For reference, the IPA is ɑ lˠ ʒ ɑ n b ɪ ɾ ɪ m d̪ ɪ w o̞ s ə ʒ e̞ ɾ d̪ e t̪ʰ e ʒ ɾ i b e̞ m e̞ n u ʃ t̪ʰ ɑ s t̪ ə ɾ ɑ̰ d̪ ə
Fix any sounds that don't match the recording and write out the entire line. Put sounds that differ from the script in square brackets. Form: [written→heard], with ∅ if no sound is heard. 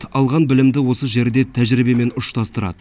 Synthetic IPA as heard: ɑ lˠ [ʒ→ʁ] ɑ n b ɪ [ɾ→l] ɪ m d̪ ɪ w o̞ s ə ʒ e̞ ɾ d̪ e t̪ʰ [e→æ] ʒ ɾ i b e̞ m e̞ n [u→ʊ] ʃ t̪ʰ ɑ s t̪ ə ɾ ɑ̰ d̪ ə